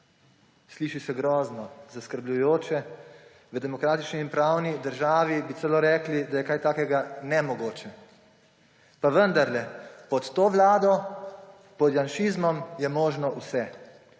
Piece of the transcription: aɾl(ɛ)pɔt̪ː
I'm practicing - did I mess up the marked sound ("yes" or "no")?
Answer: no